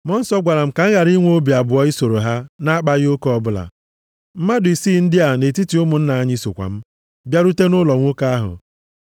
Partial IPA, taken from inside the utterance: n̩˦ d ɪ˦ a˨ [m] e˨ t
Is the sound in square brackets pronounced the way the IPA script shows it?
no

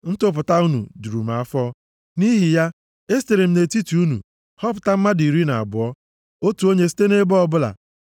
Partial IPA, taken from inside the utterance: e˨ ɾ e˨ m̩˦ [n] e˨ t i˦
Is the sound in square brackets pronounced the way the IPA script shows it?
yes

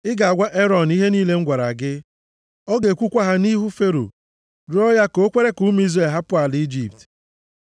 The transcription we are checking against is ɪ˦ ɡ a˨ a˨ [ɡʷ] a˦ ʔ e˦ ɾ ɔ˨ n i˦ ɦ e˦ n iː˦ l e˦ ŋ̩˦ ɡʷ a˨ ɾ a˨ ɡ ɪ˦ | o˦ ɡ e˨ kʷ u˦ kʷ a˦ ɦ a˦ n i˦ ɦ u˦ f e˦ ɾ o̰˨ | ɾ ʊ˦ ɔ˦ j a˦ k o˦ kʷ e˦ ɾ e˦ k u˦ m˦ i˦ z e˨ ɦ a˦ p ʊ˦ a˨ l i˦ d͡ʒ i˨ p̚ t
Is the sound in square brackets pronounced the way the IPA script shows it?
yes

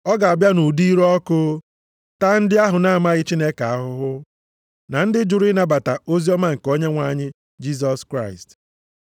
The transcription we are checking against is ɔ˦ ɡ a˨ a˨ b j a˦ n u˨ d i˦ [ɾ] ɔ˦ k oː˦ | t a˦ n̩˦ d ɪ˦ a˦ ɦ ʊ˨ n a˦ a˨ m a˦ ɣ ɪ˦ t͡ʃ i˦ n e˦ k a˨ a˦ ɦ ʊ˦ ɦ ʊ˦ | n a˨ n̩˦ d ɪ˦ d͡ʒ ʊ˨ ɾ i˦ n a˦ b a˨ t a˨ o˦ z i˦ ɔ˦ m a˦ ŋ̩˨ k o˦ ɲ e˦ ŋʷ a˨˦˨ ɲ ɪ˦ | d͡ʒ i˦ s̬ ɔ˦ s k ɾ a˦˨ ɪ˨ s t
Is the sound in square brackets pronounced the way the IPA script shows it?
yes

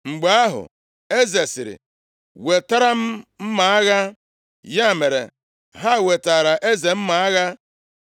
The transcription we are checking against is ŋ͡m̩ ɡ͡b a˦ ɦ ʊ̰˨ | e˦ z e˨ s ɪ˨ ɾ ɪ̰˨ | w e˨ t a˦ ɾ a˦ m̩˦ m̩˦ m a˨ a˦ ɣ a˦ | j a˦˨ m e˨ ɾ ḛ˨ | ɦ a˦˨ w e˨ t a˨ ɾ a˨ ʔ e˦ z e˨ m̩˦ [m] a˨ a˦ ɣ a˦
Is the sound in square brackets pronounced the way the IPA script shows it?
yes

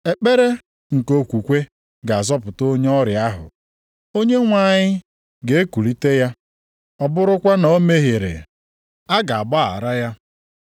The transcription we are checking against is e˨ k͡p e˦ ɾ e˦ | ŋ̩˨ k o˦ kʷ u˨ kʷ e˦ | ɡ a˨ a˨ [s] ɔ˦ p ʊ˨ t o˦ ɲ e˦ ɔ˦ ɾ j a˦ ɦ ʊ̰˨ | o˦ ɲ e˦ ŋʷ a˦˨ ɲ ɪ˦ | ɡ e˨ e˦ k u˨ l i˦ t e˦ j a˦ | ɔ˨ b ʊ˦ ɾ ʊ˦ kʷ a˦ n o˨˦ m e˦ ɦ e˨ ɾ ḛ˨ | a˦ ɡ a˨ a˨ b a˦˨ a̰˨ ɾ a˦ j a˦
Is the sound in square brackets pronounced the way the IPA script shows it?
no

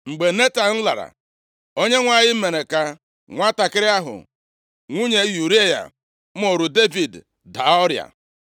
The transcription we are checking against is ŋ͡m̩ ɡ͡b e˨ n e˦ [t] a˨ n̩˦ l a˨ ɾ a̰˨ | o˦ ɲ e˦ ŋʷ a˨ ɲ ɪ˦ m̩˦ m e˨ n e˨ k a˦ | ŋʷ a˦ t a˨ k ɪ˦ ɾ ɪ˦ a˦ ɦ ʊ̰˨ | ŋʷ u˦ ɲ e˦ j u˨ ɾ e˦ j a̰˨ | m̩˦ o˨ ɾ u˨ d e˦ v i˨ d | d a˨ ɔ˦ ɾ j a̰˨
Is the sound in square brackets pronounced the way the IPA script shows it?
yes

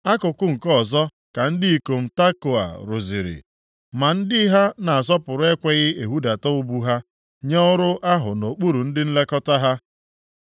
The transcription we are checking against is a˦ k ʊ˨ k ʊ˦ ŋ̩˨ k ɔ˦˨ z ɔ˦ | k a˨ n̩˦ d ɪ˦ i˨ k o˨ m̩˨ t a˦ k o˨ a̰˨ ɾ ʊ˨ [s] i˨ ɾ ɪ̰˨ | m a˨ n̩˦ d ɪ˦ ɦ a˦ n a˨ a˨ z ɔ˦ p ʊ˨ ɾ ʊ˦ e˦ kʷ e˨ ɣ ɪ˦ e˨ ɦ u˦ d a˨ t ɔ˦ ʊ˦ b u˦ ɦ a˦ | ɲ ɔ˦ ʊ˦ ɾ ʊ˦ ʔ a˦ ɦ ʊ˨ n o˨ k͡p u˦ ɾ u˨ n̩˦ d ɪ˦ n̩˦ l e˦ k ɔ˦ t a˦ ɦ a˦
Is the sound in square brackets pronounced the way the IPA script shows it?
no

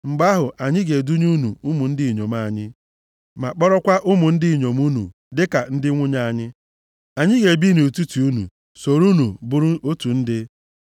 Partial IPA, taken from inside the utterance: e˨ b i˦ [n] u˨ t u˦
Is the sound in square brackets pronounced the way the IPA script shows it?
yes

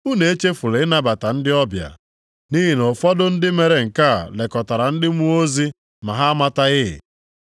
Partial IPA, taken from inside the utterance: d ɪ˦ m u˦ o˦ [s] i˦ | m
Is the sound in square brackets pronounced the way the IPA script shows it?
no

